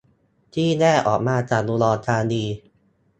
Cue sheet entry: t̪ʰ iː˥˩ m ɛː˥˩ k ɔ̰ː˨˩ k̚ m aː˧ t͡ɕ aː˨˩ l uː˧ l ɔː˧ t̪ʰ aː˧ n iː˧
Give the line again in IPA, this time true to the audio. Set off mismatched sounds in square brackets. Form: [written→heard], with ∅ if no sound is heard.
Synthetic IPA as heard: t̪ʰ iː˥˩ [m→n] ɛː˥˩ [k→ʔ] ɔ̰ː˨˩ k̚ m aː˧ t͡ɕ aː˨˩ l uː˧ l ɔː˧ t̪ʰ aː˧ n iː˧